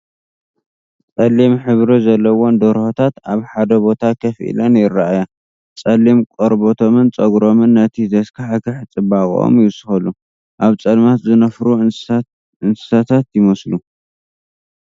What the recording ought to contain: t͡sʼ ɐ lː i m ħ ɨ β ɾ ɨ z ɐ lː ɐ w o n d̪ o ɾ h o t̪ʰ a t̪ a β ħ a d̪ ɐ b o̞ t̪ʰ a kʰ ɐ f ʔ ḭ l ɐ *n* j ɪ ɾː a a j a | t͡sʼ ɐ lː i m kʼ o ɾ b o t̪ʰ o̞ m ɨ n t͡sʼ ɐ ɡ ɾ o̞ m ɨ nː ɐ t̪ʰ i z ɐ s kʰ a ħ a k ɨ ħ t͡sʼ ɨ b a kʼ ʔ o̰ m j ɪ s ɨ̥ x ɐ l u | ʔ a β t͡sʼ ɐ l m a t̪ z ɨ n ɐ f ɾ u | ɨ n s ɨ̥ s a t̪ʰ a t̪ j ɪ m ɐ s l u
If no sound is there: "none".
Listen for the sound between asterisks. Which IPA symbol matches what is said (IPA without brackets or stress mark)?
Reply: n